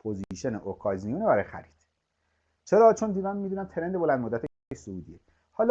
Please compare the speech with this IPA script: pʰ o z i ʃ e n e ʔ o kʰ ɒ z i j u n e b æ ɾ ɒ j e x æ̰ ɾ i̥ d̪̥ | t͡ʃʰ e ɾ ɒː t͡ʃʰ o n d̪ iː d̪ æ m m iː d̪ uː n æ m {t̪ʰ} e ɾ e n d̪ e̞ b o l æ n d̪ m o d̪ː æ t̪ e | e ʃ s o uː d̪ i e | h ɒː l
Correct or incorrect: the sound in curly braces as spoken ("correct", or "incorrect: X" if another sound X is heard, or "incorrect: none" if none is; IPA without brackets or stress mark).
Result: correct